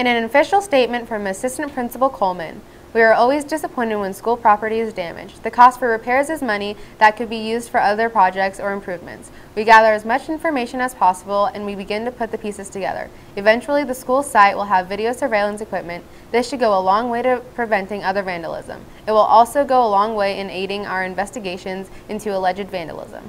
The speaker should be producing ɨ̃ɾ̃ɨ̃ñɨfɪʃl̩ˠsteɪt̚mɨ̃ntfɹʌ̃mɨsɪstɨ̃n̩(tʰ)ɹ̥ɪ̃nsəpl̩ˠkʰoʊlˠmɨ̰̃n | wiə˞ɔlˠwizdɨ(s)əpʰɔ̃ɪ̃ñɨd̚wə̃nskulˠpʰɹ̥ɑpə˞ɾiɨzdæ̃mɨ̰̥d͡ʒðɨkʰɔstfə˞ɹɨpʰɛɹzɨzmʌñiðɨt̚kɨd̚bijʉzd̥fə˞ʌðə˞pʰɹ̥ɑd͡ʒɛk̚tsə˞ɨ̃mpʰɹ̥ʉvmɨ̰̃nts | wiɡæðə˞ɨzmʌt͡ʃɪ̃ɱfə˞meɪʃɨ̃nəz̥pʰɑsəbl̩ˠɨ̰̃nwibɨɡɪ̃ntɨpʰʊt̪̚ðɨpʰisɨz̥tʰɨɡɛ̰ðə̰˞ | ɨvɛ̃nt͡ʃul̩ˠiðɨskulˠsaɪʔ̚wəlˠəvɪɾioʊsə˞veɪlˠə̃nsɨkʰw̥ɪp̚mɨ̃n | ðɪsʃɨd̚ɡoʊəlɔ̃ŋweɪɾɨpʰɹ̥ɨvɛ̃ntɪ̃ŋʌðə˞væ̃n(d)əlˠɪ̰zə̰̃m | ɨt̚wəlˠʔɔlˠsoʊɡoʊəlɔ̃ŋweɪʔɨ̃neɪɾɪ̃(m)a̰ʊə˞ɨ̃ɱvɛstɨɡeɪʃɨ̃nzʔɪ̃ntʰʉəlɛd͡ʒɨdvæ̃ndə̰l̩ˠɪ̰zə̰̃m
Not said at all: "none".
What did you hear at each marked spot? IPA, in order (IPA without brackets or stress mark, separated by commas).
pʰ, s, d, ŋ